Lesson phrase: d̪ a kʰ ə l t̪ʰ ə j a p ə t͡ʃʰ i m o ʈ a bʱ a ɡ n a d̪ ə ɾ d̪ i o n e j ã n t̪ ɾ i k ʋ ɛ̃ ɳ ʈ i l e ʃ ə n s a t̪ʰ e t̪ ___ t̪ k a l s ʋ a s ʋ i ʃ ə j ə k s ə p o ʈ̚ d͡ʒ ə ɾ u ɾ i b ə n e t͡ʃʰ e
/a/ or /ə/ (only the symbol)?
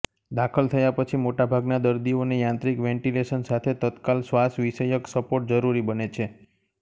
ə